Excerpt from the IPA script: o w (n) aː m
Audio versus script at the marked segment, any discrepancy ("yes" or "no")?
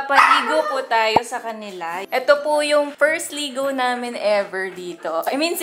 no